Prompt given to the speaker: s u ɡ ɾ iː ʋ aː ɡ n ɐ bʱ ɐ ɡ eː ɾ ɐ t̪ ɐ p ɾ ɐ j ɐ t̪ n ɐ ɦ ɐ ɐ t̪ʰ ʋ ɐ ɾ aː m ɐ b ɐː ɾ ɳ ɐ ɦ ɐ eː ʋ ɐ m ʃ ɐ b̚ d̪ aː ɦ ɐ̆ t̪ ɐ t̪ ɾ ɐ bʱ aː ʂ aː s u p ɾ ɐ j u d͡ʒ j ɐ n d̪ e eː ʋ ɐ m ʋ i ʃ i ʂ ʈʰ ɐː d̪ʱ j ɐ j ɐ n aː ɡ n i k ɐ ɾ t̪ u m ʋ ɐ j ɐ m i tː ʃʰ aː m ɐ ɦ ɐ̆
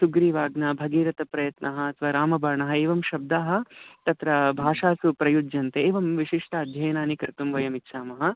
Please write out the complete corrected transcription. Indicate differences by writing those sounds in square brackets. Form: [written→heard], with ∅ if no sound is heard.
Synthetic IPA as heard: s u ɡ ɾ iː ʋ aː ɡ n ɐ bʱ ɐ ɡ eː ɾ ɐ t̪ ɐ p ɾ ɐ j ɐ t̪ n ɐ ɦ ɐ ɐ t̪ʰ ʋ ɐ ɾ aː m ɐ b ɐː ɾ ɳ ɐ ɦ ɐ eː ʋ ɐ m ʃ ɐ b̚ d̪ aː ɦ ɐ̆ t̪ ɐ t̪ ɾ ɐ bʱ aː ʂ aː s u p ɾ ɐ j u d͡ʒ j ɐ n [d̪→t̪] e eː ʋ ɐ m ʋ i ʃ i ʂ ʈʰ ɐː d̪ʱ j ɐ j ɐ n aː [ɡ→∅] n i k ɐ ɾ t̪ u m ʋ ɐ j ɐ m i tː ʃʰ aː m ɐ ɦ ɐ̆